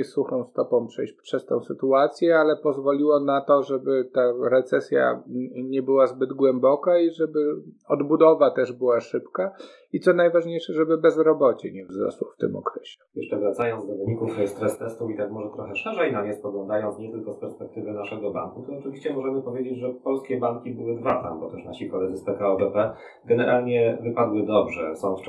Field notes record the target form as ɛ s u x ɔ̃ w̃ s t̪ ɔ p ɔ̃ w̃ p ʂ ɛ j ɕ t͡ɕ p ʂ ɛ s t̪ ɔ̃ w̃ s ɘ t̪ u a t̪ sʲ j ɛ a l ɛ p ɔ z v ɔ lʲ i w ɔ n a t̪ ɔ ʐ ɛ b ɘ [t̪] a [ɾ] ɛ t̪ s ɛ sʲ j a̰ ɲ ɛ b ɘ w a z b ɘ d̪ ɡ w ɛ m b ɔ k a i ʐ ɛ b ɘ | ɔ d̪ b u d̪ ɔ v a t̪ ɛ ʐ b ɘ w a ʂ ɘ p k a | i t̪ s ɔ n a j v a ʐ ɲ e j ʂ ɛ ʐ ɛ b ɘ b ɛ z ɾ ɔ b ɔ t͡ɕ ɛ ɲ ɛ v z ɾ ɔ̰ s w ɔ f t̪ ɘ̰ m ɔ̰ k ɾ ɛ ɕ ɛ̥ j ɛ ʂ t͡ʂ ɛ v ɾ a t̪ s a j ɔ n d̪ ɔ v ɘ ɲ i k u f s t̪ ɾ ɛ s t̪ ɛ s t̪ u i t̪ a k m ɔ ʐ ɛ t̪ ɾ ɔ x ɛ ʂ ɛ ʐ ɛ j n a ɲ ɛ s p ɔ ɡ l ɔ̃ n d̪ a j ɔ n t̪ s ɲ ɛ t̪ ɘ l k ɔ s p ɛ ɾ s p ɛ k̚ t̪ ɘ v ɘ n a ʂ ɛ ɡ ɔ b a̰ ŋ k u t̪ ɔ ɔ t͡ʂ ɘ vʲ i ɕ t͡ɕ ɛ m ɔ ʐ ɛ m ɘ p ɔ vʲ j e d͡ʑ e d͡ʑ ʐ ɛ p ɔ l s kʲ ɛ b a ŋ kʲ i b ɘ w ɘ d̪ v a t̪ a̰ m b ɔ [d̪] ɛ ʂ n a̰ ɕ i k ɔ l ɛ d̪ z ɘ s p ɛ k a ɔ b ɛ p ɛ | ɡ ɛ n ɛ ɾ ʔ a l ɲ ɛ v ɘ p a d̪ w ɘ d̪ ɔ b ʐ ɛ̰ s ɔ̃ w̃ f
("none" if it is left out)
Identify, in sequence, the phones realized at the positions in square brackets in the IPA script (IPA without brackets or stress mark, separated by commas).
t̪, ɾ, t̪